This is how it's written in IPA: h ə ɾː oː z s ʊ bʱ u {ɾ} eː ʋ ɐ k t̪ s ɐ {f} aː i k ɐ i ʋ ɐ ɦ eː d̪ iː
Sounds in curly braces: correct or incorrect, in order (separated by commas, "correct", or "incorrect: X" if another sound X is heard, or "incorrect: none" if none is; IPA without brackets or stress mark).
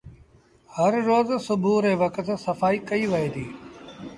correct, correct